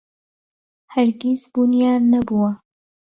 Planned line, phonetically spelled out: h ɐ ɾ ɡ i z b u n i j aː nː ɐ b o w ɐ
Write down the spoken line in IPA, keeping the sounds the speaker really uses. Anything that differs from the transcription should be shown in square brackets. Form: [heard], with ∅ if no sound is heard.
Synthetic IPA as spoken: h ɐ ɾ ɡ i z b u n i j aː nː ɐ b [u] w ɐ